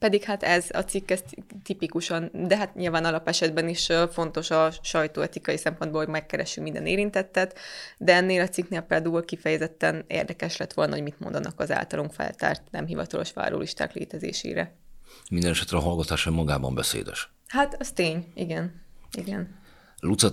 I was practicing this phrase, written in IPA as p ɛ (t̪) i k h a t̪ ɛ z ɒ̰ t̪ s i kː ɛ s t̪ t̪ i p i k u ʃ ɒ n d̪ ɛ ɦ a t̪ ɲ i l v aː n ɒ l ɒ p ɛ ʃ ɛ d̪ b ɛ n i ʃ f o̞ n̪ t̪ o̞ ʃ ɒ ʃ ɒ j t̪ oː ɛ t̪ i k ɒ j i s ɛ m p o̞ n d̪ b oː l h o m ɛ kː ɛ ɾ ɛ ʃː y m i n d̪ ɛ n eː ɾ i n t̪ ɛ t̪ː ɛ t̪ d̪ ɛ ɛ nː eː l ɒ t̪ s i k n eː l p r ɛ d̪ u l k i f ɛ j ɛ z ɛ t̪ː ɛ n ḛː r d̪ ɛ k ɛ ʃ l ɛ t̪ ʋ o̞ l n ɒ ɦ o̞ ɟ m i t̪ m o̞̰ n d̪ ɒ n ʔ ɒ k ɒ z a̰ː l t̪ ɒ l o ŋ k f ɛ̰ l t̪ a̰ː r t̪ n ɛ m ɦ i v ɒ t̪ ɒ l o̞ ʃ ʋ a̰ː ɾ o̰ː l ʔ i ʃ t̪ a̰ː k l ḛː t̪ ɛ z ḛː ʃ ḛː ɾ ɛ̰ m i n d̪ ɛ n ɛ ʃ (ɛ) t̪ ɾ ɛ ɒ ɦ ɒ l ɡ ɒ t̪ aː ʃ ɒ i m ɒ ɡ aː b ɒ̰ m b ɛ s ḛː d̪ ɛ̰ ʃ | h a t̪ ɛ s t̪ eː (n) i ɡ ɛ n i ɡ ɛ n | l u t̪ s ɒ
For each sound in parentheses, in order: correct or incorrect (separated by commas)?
incorrect, correct, incorrect